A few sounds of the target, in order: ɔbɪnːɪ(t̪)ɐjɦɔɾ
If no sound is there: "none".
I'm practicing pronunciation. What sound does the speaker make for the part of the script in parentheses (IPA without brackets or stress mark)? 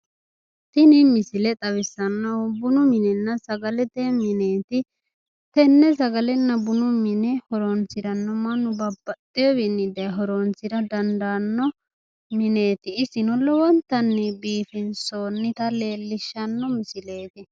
d̪